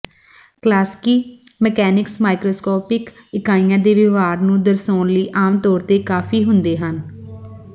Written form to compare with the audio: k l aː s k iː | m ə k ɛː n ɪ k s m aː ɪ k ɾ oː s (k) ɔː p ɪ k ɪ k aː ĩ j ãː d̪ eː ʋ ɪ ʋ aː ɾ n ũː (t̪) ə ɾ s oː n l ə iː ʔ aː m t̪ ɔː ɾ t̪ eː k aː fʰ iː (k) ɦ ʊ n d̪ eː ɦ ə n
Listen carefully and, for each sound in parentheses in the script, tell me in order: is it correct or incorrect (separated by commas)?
correct, incorrect, incorrect